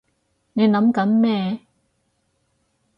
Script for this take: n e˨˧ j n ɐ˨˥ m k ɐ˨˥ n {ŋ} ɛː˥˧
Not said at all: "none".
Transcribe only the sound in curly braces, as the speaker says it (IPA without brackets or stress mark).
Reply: m